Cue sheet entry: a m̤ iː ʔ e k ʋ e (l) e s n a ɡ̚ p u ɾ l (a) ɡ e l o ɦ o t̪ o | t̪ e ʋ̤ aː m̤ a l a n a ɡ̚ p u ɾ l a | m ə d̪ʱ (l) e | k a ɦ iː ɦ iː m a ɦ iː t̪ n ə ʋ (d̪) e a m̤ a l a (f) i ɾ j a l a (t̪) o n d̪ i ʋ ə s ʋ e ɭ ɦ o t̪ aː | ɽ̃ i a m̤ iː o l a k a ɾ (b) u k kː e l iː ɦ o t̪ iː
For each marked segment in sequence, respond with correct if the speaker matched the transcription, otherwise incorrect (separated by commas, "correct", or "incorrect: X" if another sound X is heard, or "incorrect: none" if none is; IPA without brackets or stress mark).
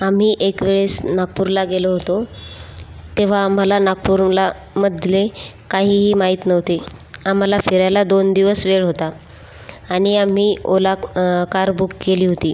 incorrect: ɭ, correct, correct, incorrect: t̪, correct, incorrect: d̪, correct